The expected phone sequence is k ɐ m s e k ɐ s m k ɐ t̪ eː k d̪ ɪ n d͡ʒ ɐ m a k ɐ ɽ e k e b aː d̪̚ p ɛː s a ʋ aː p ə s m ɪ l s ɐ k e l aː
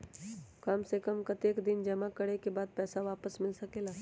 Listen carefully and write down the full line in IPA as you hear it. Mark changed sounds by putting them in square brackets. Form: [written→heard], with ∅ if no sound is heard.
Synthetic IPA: k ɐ m s e k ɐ [s→∅] m k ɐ t̪ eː k d̪ ɪ n d͡ʒ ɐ m a k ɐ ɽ e k e b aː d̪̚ p ɛː s a ʋ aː p ə s m ɪ l s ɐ k e l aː